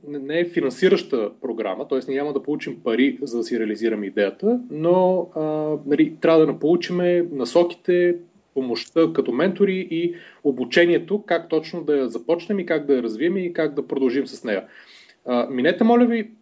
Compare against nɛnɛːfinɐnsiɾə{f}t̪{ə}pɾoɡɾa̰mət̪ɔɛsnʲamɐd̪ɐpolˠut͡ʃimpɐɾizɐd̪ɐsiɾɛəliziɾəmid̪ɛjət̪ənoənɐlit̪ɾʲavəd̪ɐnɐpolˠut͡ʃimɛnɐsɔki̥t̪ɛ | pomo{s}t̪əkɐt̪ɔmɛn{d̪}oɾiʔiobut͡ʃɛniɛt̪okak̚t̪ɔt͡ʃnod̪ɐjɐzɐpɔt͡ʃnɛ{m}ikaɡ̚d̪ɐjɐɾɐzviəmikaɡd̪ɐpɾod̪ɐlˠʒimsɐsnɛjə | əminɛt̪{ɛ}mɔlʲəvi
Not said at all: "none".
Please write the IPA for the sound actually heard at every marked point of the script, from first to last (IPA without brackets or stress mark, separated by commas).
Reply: ʃ, ə, ʃ, t̪, m, ɛ